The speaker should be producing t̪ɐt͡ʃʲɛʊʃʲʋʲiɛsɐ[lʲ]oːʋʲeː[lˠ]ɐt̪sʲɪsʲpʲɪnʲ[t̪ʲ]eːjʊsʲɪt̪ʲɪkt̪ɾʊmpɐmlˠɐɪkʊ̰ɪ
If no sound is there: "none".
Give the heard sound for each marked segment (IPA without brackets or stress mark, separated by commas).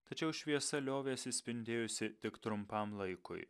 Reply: lʲ, none, d̪ʲ